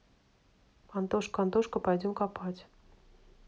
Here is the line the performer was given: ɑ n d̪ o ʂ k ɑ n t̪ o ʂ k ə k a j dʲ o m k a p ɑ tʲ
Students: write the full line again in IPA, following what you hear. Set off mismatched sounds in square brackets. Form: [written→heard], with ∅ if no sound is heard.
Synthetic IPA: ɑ n [d̪→t̪] o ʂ k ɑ n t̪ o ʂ k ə [k→p] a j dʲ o m k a p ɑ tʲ